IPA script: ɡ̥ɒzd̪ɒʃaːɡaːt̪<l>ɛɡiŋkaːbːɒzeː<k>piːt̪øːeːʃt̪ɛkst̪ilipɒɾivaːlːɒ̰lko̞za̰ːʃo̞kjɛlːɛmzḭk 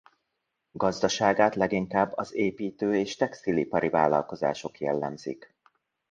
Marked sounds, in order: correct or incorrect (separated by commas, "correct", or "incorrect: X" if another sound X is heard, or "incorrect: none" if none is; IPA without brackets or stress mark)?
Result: correct, incorrect: none